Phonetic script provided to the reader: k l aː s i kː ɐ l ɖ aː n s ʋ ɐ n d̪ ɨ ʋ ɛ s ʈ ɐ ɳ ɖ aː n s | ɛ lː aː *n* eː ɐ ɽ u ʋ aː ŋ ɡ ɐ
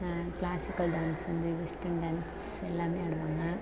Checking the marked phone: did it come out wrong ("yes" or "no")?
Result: yes